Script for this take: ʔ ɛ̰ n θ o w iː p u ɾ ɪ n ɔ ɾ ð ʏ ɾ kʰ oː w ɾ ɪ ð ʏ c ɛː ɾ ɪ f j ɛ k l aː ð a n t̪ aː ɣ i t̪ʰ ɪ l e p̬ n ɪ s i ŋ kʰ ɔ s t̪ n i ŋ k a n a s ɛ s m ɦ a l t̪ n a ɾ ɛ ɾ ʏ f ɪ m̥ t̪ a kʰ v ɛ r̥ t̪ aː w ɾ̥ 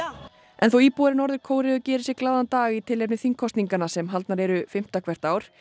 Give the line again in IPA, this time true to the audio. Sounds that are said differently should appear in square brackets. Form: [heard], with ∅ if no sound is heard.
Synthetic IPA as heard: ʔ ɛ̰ n θ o w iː p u ɾ ɪ n ɔ ɾ ð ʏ ɾ kʰ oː w ɾ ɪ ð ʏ c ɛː ɾ ɪ [s] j ɛ k l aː ð a n t̪ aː ɣ i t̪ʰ ɪ l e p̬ n ɪ [θ] i ŋ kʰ ɔ s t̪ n i ŋ k a n a s ɛ [∅] m ɦ a l t̪ n a ɾ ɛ ɾ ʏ f ɪ m̥ t̪ a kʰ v ɛ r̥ t̪ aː w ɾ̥